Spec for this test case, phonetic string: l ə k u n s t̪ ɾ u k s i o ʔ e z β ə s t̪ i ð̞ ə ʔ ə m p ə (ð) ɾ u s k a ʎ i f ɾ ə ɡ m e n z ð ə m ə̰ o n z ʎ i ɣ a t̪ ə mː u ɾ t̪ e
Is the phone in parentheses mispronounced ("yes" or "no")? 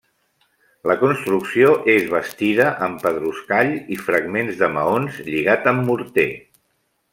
no